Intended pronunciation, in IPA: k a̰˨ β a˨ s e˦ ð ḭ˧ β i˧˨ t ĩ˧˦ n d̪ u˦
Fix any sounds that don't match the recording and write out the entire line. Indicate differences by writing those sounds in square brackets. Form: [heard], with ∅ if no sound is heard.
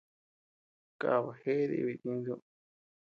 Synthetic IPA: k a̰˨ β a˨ [h] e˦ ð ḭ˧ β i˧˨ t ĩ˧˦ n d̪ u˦